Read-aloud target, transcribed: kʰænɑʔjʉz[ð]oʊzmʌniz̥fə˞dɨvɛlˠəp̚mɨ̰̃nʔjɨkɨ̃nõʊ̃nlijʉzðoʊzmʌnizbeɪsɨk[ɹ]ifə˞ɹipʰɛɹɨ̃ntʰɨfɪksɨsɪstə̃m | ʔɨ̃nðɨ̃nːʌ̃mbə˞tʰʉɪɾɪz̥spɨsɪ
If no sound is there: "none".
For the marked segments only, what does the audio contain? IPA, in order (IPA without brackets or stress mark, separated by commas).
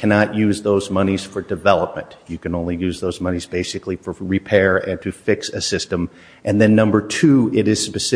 ð, l